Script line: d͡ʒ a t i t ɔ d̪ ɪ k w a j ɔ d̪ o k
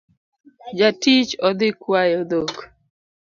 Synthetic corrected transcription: d͡ʒ a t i t͡ʃ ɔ d̪ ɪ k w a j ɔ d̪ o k